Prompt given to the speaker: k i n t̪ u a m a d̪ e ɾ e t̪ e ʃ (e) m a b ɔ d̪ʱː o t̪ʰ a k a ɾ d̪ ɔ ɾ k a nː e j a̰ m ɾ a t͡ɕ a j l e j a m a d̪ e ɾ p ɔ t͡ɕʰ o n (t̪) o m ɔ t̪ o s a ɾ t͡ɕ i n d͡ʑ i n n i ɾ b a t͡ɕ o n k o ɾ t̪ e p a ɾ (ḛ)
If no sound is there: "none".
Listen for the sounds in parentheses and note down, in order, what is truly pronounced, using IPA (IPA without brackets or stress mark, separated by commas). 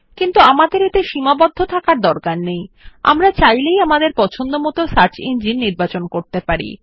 i, d̪, ḭ